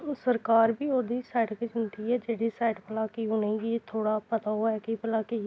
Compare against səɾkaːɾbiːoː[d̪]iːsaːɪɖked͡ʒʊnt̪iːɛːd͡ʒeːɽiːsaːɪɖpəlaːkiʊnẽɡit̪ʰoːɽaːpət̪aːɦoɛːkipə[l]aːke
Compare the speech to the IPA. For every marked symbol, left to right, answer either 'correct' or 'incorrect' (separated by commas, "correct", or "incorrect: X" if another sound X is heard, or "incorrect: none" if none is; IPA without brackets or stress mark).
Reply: correct, correct